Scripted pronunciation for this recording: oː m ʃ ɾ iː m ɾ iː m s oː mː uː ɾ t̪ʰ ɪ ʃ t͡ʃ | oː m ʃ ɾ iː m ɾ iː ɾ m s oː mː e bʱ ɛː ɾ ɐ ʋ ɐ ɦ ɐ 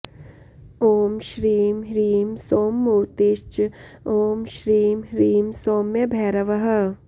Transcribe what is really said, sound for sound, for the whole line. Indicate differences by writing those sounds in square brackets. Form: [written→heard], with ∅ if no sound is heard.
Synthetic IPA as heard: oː m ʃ ɾ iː m ɾ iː m s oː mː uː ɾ [t̪ʰ→t̪] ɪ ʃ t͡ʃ | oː m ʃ ɾ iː m ɾ iː [ɾ→∅] m s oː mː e bʱ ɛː ɾ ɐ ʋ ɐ ɦ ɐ